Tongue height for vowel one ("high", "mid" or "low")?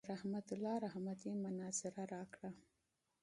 low